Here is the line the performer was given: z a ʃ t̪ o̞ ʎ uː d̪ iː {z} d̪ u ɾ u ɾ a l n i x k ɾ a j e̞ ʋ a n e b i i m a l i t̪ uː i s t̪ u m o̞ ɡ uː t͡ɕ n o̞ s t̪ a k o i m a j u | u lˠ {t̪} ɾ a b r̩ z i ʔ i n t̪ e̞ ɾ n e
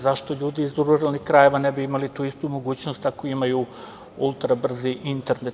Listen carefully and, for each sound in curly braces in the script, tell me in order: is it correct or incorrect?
correct, correct

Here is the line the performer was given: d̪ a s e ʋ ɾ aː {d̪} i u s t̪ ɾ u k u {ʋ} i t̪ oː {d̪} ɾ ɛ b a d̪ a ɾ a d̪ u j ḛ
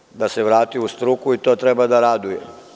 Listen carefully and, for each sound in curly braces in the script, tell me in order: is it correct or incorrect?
incorrect: t̪, incorrect: none, incorrect: t̪

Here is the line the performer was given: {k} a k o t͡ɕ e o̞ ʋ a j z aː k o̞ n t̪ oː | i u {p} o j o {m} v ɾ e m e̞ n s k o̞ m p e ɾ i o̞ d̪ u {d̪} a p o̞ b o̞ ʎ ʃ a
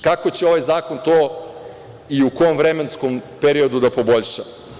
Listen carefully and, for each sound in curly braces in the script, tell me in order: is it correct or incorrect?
correct, incorrect: k, correct, correct

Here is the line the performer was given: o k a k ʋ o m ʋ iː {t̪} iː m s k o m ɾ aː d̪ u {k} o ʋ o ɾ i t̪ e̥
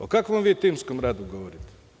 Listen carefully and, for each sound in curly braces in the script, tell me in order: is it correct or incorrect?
correct, incorrect: ɡ

